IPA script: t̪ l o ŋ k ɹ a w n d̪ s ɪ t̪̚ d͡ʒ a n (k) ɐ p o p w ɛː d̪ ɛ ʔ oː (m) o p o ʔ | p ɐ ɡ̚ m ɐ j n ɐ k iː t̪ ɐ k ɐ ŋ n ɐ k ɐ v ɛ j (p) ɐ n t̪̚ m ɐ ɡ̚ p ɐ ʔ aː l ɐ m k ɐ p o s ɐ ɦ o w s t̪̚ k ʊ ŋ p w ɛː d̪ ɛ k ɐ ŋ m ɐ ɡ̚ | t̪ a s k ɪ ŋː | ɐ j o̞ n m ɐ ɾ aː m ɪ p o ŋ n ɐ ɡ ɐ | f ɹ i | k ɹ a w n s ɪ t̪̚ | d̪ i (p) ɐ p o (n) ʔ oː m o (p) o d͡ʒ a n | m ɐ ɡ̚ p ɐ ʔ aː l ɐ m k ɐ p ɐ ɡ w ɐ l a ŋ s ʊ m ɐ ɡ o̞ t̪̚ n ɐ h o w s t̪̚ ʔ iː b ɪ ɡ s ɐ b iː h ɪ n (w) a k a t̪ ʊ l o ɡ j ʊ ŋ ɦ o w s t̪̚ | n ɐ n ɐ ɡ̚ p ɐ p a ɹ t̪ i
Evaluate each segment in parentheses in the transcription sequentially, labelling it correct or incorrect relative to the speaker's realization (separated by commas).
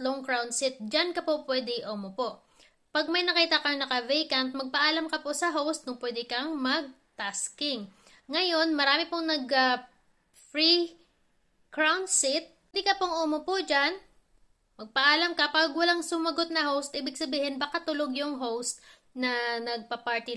correct, correct, incorrect, incorrect, incorrect, correct, incorrect